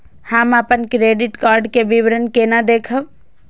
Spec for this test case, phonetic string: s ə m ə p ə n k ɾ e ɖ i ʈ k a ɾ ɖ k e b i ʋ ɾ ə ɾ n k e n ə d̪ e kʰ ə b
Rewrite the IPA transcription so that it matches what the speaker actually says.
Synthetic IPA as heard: h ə m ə p ə n k ɾ e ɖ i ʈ k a ɾ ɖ k e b i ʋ ɾ ə n k e n a d̪ e kʰ ə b